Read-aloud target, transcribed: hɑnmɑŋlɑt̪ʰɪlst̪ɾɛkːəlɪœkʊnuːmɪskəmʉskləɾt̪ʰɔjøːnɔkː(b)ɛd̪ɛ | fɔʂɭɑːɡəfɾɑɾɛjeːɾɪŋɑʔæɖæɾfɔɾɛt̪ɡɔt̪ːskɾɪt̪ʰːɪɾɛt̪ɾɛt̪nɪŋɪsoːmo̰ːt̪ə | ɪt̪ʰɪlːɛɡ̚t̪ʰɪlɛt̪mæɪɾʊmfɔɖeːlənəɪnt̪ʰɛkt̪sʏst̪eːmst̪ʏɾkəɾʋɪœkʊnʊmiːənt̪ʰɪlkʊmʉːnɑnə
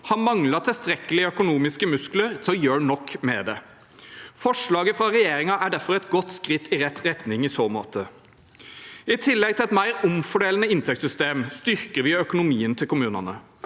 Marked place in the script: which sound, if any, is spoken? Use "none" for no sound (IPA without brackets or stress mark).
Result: m